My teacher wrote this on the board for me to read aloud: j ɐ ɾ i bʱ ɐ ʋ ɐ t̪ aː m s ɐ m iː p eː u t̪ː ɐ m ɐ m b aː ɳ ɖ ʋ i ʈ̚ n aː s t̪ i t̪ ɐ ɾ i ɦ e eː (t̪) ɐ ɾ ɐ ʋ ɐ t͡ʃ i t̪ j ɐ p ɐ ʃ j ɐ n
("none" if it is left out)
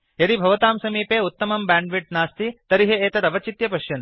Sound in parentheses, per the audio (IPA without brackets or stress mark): t̪